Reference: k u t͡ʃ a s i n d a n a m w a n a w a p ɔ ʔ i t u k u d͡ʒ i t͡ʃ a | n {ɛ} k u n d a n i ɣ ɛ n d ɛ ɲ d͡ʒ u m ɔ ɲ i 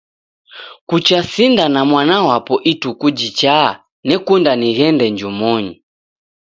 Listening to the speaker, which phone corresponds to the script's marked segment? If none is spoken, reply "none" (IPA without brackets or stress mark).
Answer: ɛ